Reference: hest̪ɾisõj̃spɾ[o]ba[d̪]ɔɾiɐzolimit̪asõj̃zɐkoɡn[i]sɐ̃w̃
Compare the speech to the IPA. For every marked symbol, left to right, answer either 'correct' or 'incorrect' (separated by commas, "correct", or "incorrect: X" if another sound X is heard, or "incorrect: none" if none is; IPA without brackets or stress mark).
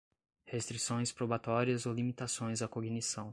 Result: correct, incorrect: t̪, correct